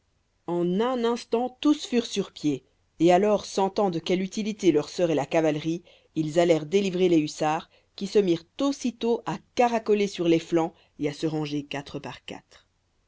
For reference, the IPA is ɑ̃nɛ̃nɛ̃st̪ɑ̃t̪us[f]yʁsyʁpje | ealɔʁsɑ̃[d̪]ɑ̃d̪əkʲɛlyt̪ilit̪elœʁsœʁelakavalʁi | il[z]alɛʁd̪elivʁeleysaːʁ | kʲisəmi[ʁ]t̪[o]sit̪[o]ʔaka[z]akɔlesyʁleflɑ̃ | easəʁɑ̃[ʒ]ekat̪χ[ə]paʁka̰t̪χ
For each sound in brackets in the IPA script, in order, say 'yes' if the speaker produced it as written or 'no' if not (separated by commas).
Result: yes, no, yes, yes, yes, yes, no, yes, yes